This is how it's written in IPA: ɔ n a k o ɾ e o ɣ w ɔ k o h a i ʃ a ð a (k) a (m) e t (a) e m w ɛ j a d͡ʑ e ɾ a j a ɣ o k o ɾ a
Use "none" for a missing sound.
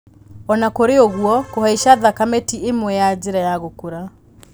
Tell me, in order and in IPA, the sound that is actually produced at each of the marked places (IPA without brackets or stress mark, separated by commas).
k, m, i